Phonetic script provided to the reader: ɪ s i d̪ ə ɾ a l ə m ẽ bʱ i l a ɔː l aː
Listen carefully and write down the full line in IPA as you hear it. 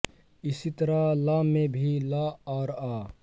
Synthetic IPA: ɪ s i t̪ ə ɾ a l a m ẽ bʱ i l a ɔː ɾ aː